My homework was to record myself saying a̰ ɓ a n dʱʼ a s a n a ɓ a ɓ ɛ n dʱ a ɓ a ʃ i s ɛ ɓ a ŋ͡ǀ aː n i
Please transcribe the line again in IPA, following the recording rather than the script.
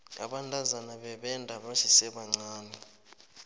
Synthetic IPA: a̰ ɓ a n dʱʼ a z a n a ɓ ɛ ɓ ɛ n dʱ a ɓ a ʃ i s ɛ ɓ a ŋ͡ǀ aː n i